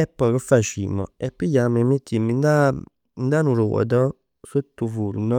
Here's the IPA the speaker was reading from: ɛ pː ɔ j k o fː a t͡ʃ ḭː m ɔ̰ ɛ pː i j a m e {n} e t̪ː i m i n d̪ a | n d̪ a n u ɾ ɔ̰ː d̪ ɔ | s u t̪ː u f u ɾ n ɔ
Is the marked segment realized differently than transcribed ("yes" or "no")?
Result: yes